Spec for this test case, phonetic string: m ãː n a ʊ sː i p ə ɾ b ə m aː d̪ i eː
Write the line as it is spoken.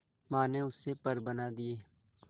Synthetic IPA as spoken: m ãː n e ʊ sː e p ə ɾ b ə n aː d̪ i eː

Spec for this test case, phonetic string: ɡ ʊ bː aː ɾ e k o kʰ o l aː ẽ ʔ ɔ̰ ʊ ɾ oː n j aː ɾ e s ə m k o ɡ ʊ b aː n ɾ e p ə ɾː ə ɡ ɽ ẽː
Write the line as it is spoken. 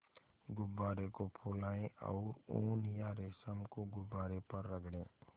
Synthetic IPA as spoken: ɡ ʊ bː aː ɾ e k o pʰ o l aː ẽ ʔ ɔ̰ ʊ ɾ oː n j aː ɾ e s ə m k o ɡ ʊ b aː ɾ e p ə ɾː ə ɡ ɽ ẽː

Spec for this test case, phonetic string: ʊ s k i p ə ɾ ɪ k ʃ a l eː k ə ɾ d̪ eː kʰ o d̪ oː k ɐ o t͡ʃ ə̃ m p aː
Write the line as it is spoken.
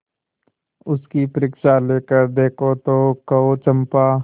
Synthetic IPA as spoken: ʊ s k i p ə ɾ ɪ k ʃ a l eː k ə ɾ d̪ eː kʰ o t̪ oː k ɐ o t͡ʃ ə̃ m p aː

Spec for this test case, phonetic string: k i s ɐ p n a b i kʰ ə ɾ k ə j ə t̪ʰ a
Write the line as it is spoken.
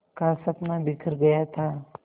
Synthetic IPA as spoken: k a s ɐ p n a b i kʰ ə ɾ ɡ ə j a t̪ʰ a

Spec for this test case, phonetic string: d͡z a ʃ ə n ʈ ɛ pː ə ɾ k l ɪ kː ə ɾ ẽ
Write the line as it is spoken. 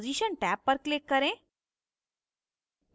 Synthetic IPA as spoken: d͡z i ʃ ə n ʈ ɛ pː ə ɾ k l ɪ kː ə ɾ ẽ

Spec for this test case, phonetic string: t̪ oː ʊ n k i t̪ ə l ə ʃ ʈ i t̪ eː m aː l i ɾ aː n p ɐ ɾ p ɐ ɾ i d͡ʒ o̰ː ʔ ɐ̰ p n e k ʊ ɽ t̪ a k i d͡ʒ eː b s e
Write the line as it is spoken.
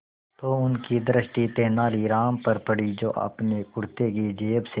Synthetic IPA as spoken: t̪ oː ʊ n k i d̪ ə ɾ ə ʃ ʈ i t̪ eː n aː l i ɾ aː m p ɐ ɾ p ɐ ɽ i d͡ʒ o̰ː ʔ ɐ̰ p n e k ʊ ɽ t̪ e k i d͡ʒ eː b s e

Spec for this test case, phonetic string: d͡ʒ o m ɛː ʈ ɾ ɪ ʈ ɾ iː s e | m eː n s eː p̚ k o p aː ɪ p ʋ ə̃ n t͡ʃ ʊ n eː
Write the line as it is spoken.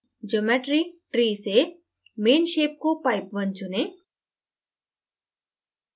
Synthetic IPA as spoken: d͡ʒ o m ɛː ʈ ɾ i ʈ ɾ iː s e | m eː n ʃ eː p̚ k o p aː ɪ p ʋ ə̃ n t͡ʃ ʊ n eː

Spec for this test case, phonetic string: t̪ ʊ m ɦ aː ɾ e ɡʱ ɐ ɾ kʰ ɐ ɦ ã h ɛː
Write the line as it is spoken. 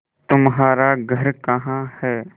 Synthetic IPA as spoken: t̪ ʊ m ɦ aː ɾ a ɡʱ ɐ ɾ k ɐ ɦ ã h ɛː

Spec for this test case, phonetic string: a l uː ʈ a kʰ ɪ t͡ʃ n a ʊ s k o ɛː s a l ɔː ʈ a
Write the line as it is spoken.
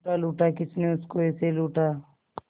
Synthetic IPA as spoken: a l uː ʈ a k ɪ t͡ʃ n e ʊ s k o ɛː s e l uː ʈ a

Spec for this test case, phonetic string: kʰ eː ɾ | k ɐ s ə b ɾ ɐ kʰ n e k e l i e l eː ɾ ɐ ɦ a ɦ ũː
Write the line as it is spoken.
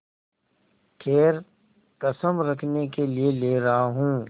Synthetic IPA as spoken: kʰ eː ɾ | k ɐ s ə m ɾ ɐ kʰ n e k e l i e l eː ɾ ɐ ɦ a ɦ ũː

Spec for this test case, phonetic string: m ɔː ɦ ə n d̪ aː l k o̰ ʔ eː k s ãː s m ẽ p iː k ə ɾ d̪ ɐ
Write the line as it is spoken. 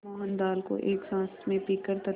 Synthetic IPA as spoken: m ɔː ɦ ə n d̪ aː l k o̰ ʔ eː k s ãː s m ẽ p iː k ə ɾ t̪ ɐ

